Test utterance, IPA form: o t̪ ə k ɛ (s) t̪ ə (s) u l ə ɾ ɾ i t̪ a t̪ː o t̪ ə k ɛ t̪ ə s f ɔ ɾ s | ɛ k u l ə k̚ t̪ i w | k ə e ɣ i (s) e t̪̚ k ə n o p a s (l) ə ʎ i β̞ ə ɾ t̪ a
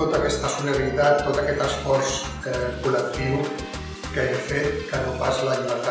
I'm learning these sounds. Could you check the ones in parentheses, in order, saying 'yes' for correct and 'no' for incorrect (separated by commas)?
yes, yes, no, yes